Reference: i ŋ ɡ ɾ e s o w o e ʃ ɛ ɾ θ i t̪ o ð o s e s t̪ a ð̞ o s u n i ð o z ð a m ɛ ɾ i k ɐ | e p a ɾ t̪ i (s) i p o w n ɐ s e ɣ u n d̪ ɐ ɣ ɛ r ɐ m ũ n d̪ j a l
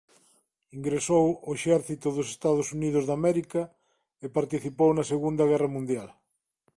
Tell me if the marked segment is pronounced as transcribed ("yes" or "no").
no